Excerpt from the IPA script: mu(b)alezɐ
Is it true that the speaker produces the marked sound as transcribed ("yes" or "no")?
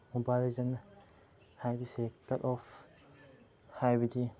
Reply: yes